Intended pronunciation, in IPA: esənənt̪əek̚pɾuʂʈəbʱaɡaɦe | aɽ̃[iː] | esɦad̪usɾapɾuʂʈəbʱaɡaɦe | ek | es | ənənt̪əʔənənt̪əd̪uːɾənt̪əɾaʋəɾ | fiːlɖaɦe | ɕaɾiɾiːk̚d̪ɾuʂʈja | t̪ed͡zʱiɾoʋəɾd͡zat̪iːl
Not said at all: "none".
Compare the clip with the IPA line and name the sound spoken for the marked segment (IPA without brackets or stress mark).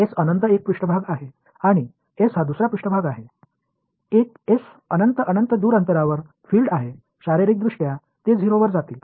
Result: i